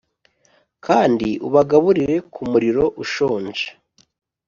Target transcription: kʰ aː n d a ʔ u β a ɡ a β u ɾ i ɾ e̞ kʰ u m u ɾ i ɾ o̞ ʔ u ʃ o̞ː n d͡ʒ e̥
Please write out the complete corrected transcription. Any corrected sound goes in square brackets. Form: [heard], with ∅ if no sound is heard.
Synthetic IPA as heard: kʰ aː n d [i] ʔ u β a ɡ a β u ɾ i ɾ e̞ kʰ u m u ɾ i ɾ o̞ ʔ u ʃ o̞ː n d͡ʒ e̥

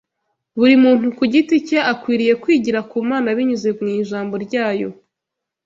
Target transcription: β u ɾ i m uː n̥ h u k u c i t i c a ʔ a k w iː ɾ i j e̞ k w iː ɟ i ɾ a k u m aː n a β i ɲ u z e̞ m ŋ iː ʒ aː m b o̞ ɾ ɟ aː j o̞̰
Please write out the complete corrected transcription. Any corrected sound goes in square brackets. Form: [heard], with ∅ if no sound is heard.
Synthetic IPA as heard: β u ɾ i m uː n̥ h u k u [ɟ] i t i c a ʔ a k w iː ɾ i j e̞ k w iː ɟ i ɾ a k u m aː n a β i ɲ u z e̞ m ŋ iː ʒ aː m b o̞ ɾ ɟ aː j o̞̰

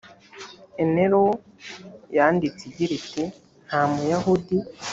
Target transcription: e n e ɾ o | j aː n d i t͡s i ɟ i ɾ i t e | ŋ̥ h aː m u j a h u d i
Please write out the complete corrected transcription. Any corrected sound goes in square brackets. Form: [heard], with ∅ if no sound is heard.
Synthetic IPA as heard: e n e ɾ o | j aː n d i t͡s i ɟ i ɾ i t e | [n̥] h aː m u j a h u d i

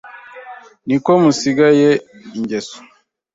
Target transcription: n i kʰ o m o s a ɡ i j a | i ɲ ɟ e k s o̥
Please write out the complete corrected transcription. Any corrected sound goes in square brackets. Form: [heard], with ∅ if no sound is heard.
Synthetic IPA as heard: n i [k] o m [u] s [i] ɡ [a] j [e] | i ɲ ɟ e [∅] s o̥

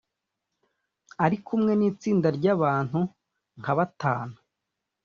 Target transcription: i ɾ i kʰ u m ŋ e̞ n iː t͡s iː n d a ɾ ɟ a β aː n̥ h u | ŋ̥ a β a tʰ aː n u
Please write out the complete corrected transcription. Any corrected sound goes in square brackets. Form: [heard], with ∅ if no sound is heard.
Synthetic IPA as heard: [a] ɾ i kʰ u m ŋ e̞ n iː t͡s iː n d a ɾ ɟ a β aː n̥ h u | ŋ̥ a β a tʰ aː n u

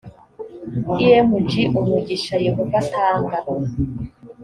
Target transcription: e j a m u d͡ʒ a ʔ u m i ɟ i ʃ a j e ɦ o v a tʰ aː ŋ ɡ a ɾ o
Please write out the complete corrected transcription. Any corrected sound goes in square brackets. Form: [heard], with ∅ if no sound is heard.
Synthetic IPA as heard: [i] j [e] m u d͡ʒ [i] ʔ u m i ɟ i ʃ a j e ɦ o v a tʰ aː ŋ ɡ a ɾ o

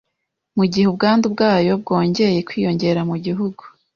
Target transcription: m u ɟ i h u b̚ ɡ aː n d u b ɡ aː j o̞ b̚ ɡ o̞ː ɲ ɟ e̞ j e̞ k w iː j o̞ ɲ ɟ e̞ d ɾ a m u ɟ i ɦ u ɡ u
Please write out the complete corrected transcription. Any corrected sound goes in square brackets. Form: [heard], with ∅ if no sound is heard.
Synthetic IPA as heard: m u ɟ i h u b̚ ɡ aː n d u b ɡ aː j o̞ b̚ ɡ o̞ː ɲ ɟ e̞ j e̞ k w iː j o̞ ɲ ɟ e̞ [∅] ɾ a m u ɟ i ɦ u ɡ u

